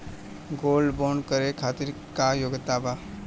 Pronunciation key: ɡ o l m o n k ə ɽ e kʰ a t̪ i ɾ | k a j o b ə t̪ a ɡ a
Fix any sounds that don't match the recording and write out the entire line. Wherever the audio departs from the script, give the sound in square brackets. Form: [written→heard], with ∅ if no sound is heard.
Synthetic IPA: ɡ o l [m→b] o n k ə [ɽ→ɾ] e kʰ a t̪ i ɾ | k a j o [b→ɡ] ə t̪ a [ɡ→b] a